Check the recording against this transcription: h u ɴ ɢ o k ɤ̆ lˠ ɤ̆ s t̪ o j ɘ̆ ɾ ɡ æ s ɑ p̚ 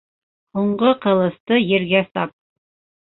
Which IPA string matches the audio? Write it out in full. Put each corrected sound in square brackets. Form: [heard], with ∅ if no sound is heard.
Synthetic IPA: h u ɴ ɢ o [q] ɤ̆ lˠ ɤ̆ s t̪ [ɤ] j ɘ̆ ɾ ɡ æ s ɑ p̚